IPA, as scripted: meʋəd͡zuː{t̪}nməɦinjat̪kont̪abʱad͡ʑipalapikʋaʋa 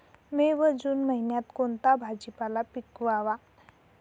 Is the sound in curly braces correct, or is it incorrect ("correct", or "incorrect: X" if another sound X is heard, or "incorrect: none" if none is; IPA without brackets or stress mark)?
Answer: incorrect: none